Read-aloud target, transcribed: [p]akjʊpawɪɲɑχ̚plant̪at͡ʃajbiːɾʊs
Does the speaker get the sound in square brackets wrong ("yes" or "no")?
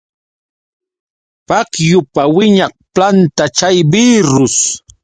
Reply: no